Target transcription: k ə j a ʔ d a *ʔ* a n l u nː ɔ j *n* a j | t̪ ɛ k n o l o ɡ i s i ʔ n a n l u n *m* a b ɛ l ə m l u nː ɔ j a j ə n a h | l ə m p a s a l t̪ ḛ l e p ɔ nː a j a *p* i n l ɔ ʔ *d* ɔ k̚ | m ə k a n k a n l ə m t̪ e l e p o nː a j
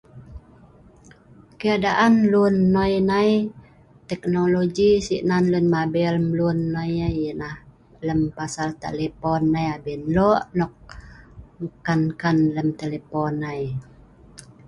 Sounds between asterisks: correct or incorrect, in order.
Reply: correct, correct, correct, incorrect: b, incorrect: n

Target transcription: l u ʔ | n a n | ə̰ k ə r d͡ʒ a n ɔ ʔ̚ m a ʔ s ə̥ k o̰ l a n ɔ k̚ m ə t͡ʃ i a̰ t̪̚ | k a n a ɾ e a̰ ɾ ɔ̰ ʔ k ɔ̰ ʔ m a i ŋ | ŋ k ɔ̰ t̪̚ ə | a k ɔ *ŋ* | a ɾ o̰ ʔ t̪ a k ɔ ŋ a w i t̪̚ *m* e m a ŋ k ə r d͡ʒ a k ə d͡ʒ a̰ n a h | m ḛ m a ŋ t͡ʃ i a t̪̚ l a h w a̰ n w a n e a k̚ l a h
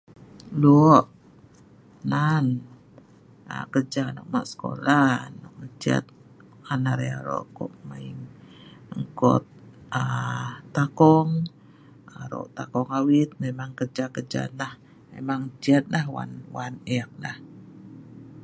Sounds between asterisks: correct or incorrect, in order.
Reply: correct, correct

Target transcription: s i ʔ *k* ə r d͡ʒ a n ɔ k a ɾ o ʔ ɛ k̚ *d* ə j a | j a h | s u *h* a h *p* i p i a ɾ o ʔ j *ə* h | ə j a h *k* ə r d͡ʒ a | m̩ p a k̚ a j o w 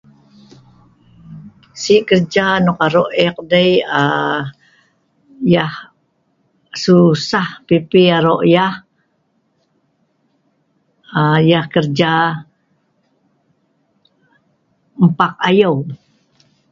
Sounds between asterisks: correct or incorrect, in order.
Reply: correct, correct, incorrect: s, correct, incorrect: a, correct

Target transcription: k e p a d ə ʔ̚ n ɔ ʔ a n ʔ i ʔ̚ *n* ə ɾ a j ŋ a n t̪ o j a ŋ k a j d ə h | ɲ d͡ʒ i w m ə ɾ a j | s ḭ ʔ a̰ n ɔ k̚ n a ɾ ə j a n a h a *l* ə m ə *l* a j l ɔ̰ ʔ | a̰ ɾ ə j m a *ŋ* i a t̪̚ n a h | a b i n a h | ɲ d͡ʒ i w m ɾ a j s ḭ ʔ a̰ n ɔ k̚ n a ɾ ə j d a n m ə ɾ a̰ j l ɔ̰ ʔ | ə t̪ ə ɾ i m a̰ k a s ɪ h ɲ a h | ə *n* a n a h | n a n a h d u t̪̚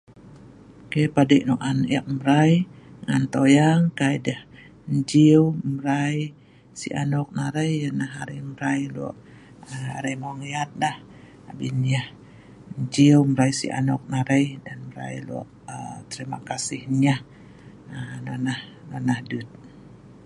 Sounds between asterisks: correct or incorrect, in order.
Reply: incorrect: m, incorrect: ɾ, incorrect: ɾ, correct, correct

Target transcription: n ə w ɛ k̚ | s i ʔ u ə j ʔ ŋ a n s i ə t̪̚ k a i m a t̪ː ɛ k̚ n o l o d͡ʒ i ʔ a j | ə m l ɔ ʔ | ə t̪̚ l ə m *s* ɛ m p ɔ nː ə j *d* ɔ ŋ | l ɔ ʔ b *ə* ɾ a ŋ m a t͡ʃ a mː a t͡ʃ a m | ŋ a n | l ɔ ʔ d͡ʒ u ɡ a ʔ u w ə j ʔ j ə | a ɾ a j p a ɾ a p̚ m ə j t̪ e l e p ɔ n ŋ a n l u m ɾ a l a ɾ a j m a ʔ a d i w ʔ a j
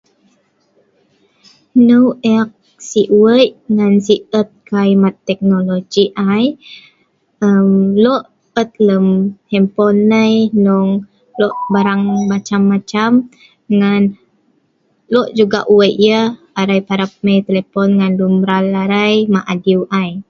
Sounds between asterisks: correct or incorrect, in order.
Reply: incorrect: h, incorrect: n, incorrect: a

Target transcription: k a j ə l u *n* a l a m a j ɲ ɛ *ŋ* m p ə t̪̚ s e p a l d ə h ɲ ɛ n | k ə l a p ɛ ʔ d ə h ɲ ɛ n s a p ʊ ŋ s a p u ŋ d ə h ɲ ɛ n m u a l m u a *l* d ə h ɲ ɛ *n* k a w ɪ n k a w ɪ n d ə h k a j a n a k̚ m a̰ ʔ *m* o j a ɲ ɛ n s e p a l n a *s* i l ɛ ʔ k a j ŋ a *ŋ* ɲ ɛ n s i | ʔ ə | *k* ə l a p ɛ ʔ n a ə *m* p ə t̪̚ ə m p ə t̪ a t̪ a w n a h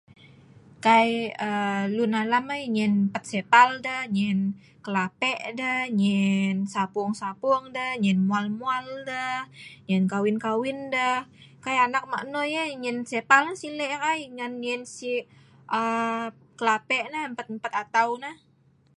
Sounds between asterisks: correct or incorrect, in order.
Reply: correct, incorrect: n, correct, correct, incorrect: n, correct, incorrect: n, correct, correct

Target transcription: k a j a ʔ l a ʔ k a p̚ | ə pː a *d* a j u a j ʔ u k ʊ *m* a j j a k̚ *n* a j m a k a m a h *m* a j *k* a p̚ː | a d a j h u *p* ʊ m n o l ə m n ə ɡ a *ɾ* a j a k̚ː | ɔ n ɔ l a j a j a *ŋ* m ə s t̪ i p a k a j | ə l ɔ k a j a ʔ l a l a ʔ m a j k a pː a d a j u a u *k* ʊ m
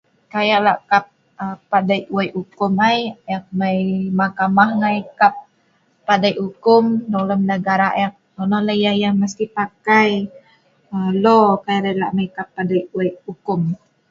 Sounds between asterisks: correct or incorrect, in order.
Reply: correct, correct, incorrect: m, incorrect: ŋ, correct, incorrect: k, correct, correct, correct

